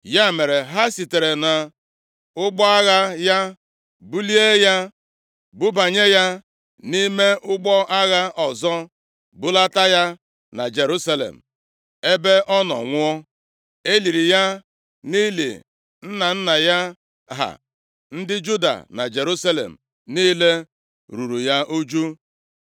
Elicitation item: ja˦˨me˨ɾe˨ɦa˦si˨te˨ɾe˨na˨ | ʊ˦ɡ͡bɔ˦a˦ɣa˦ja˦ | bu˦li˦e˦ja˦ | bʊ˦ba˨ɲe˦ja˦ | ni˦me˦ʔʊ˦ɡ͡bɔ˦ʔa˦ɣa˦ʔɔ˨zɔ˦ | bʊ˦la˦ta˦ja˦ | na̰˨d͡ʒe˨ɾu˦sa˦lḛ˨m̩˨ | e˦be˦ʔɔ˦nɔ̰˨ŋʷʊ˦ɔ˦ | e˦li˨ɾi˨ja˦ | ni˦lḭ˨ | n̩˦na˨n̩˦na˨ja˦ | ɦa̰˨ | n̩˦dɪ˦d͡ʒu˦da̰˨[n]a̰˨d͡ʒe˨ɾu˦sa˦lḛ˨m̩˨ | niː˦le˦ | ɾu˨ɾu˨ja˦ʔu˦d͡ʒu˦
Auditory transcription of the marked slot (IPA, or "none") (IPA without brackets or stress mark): n